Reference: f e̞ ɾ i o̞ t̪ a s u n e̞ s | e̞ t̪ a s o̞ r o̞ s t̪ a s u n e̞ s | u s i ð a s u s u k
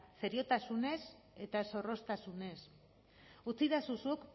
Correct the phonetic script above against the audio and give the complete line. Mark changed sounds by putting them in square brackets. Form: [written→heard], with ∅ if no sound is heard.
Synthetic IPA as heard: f e̞ ɾ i o̞ t̪ a s u n e̞ s | e̞ t̪ a s o̞ r o̞ s t̪ a s u n e̞ s | u [s→t͡s] i ð a s u s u k